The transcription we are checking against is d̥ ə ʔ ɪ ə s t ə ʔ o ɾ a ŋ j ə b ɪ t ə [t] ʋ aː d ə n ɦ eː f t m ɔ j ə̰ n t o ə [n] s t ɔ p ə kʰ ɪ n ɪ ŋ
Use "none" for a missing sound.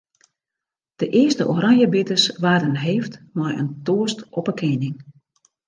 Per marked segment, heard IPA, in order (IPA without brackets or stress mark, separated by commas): s, none